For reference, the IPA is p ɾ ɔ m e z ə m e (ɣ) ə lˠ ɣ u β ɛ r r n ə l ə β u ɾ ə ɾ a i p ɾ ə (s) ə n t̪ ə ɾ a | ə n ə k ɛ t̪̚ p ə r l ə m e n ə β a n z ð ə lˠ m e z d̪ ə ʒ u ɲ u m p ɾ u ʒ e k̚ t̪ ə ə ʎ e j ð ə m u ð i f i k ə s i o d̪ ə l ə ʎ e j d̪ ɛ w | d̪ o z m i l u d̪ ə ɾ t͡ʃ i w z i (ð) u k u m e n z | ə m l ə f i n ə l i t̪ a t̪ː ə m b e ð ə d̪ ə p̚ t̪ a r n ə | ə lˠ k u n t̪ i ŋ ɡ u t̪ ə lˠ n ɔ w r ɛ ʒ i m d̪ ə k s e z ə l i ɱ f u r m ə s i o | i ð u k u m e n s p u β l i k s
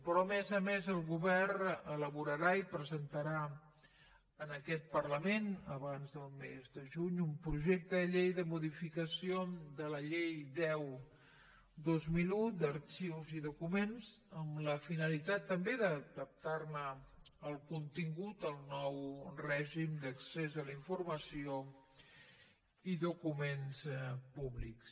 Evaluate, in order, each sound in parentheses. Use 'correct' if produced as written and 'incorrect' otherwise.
incorrect, incorrect, correct

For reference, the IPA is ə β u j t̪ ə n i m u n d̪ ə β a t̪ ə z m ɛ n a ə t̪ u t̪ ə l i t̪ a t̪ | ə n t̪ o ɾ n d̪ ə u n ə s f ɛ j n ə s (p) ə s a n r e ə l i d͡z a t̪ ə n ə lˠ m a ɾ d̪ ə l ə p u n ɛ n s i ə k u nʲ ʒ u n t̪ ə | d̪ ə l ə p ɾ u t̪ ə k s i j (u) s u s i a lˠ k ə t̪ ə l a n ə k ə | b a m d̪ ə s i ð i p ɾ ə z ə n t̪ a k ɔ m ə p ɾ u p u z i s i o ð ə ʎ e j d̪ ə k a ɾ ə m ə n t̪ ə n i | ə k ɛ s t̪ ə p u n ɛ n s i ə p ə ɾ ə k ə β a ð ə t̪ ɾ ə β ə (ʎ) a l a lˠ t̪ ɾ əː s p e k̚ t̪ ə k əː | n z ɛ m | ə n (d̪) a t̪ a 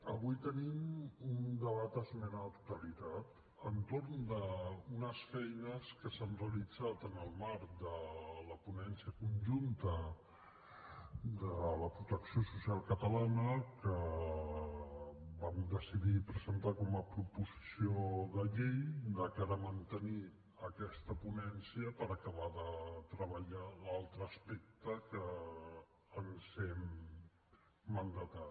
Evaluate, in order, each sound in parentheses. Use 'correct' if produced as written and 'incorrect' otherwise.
incorrect, incorrect, correct, correct

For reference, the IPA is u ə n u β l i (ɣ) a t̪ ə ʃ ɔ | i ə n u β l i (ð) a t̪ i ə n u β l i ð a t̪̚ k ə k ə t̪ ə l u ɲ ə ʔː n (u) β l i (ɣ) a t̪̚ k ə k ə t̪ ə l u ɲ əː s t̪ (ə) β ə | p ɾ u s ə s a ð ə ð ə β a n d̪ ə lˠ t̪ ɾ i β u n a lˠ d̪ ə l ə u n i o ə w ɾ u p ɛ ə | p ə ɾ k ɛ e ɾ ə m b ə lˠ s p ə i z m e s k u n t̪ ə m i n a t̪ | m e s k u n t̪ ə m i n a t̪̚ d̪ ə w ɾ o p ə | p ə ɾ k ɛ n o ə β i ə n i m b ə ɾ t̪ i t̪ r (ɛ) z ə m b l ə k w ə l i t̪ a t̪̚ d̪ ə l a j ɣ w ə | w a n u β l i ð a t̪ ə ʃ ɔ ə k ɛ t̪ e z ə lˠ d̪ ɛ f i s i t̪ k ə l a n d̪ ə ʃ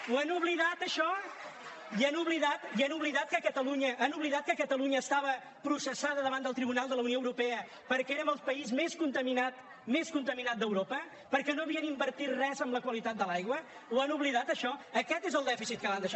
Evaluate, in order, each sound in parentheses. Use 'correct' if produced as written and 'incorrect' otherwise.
incorrect, correct, correct, incorrect, incorrect, correct

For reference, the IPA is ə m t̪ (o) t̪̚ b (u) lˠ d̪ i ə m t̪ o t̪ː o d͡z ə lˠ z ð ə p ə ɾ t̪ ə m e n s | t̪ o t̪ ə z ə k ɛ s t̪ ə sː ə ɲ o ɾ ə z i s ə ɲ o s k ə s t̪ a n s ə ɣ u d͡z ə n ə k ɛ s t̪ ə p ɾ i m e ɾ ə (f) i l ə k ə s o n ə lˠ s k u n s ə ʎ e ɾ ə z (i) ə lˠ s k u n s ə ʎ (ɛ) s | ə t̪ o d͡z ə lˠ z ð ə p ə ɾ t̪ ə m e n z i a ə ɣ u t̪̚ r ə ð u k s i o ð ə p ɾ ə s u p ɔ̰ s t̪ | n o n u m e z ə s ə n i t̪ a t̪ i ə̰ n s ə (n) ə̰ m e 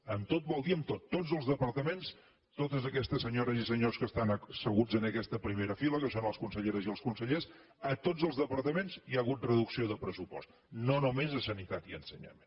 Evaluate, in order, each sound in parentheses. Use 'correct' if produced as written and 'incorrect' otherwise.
correct, incorrect, correct, correct, incorrect, incorrect

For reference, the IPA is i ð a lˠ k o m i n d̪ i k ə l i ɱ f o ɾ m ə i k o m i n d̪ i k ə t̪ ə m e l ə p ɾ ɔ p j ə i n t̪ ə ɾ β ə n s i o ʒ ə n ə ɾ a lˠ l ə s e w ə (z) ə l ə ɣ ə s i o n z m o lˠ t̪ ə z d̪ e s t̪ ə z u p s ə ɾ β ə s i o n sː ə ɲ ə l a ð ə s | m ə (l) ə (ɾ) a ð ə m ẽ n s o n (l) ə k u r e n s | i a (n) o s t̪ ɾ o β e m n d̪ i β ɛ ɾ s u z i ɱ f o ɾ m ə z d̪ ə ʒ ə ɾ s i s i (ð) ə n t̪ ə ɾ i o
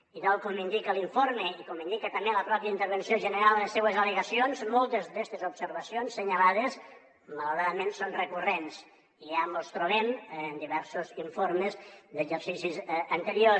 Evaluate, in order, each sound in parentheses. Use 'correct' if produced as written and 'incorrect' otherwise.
correct, correct, correct, incorrect, incorrect, incorrect

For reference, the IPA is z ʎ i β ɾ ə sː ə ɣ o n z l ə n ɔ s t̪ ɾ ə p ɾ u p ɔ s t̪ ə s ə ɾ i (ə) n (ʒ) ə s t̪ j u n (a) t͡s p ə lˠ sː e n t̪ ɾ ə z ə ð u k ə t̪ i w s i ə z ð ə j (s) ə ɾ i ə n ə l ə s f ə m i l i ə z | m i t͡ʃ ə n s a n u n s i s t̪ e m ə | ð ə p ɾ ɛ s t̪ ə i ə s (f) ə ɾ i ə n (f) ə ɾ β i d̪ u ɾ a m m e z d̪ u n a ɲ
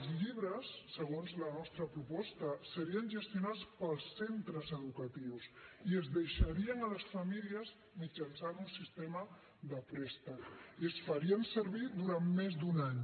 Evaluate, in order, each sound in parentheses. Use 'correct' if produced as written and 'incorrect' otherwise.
correct, correct, correct, incorrect, correct, incorrect

